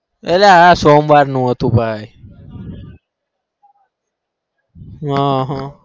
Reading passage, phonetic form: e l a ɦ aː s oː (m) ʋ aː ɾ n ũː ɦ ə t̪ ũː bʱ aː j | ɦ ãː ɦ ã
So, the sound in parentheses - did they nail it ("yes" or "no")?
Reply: yes